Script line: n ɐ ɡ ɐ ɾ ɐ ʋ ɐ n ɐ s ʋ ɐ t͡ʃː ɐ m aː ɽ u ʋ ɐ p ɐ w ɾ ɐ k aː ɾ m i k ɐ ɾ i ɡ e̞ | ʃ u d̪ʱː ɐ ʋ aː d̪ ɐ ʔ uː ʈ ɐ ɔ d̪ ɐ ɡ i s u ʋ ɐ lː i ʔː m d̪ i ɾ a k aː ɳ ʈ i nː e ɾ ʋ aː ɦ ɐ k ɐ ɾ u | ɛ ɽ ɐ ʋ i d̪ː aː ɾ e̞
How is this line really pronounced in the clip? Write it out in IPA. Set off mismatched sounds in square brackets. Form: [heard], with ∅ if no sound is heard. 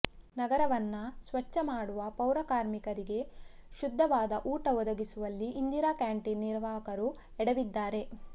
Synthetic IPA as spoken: n ɐ ɡ ɐ ɾ ɐ ʋ ɐ [nː] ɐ s ʋ ɐ t͡ʃː ɐ m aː ɽ u ʋ ɐ p ɐ w ɾ ɐ k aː ɾ m i k ɐ ɾ i ɡ e̞ | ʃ u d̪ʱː ɐ ʋ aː d̪ ɐ ʔ uː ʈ ɐ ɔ d̪ ɐ ɡ i s u ʋ ɐ lː i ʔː [n] d̪ i ɾ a k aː ɳ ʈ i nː [i] ɾ ʋ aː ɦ ɐ k ɐ ɾ u | ɛ ɽ ɐ ʋ i d̪ː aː ɾ e̞